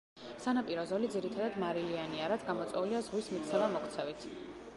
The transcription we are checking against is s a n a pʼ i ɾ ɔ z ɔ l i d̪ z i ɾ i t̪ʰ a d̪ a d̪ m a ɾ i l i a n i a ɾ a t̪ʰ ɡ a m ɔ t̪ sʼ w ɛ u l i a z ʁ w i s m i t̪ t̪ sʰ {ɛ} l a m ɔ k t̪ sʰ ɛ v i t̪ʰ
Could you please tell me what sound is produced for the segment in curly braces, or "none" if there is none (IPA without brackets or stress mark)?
ɛ